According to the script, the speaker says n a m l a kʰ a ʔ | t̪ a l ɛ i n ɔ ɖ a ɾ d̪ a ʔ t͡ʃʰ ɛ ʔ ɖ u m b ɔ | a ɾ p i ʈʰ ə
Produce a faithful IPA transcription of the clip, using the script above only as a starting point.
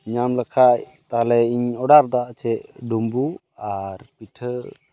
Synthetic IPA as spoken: ɲ a m l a kʰ a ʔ | t̪ a l ɛ i ɲ ɔ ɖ a ɾ d̪ a ʔ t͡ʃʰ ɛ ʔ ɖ u m b u | a ɾ p i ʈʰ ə